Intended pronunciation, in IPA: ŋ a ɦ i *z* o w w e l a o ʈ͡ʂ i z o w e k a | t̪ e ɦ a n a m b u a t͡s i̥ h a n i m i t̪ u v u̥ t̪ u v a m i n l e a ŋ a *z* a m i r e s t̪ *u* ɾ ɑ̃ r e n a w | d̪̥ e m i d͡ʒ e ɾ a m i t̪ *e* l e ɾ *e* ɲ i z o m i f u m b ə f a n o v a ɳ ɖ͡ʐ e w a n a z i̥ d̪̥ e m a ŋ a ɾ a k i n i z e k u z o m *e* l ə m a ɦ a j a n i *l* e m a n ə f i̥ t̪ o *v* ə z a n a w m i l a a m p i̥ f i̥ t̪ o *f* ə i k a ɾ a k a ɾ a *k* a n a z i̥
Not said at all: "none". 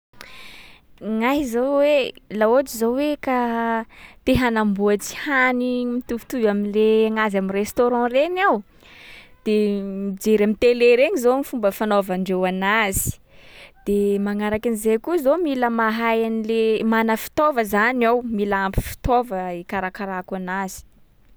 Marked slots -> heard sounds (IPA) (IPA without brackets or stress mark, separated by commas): z, z, o, e, e, i, l, v, v, k